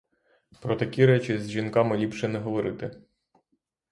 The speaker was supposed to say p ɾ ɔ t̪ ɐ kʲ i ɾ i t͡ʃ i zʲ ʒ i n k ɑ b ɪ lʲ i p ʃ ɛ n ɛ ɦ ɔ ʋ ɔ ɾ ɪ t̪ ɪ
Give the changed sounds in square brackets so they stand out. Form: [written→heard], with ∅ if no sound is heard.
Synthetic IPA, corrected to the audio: p ɾ ɔ t̪ ɐ kʲ i ɾ [i→ɛ] t͡ʃ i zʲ ʒ i n k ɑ [b→m] ɪ lʲ i p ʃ ɛ n ɛ ɦ ɔ ʋ ɔ ɾ ɪ t̪ ɪ